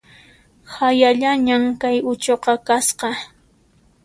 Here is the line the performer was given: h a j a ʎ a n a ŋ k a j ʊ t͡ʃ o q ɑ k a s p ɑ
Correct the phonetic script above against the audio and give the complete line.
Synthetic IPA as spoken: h a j a ʎ a ɲ a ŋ k a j ʊ t͡ʃ o q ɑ k a s q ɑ

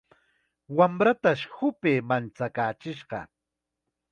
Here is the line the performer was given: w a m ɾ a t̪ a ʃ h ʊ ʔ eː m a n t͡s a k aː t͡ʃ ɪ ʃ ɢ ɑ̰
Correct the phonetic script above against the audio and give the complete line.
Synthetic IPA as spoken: w a m ɾ a t̪ a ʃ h ʊ p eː m a n t͡s a k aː t͡ʃ ɪ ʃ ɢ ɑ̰

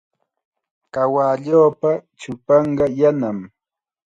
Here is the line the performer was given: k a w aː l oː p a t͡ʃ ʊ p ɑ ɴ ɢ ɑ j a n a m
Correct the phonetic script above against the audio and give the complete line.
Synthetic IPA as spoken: k a w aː ʎ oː p a t͡ʃ ʊ p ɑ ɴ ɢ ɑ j a n a m

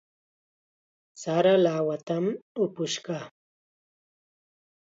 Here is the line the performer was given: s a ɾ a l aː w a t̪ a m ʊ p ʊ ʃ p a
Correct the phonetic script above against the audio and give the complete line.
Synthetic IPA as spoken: s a ɾ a l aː w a t̪ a m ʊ p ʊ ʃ k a

